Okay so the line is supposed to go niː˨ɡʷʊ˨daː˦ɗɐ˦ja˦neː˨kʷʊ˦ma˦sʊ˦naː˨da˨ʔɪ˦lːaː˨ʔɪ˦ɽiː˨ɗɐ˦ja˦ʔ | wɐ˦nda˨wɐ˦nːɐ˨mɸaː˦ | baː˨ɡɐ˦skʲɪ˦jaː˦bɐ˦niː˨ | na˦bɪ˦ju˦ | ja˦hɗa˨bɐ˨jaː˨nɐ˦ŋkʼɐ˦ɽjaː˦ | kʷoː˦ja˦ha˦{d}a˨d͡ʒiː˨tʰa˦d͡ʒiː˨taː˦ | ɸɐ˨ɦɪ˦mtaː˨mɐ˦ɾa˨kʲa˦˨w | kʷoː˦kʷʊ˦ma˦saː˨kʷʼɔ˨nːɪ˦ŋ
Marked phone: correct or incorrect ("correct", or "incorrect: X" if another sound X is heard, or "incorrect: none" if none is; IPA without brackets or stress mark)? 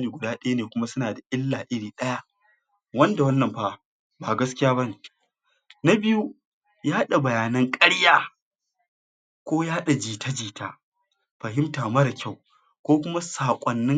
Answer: incorrect: ɗ